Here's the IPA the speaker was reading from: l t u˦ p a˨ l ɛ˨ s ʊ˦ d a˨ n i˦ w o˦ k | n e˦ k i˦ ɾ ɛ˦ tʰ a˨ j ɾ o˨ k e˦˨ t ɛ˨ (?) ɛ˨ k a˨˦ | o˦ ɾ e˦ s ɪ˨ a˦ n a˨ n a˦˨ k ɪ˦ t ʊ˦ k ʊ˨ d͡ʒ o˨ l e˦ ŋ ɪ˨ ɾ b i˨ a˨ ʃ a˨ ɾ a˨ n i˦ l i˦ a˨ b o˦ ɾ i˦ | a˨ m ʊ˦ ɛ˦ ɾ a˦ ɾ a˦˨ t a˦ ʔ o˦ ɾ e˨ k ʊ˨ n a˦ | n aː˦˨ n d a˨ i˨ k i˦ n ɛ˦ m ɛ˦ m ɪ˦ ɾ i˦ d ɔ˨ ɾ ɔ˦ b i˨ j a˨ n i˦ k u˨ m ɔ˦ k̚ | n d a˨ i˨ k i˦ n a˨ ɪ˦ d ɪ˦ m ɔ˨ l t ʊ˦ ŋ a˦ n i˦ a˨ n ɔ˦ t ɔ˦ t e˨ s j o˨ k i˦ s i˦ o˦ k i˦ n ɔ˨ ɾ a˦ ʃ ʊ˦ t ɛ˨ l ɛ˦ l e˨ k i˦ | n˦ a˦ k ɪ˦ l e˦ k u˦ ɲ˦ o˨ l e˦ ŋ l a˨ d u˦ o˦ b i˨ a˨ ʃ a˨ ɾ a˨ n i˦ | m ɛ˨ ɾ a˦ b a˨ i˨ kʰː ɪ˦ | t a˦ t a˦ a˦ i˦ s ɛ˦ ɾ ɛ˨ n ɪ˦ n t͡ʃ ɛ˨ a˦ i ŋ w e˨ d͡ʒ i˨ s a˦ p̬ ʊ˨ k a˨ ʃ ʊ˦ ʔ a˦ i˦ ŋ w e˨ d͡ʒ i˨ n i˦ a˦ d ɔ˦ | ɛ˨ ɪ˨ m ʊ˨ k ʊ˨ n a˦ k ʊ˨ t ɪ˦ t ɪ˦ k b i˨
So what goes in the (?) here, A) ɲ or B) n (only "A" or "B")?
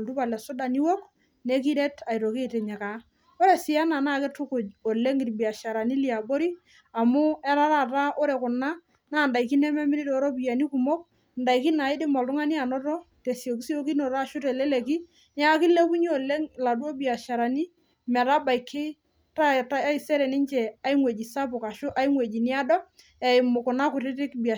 A